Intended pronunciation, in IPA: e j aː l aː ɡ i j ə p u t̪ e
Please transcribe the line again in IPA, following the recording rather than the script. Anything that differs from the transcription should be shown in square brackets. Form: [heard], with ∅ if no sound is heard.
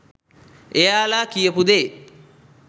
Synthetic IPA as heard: e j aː l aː [k] i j ə p u [d̪] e